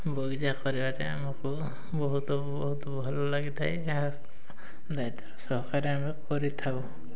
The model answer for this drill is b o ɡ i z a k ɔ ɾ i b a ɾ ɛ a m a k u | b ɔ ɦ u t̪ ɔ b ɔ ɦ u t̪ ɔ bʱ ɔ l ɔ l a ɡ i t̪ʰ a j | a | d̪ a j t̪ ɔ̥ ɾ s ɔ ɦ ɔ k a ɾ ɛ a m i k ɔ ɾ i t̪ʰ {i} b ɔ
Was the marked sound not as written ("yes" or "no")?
yes